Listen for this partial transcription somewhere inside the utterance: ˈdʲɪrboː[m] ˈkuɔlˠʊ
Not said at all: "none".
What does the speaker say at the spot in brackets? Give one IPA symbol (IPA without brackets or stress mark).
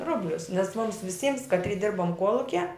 m